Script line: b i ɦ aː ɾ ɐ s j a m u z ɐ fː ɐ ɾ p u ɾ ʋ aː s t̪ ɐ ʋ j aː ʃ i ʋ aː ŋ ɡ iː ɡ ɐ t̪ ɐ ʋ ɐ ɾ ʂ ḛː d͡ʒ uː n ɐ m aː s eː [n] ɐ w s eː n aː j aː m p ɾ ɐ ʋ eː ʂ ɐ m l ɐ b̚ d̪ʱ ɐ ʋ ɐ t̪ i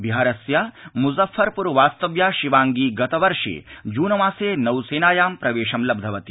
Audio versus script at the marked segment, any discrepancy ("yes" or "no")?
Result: no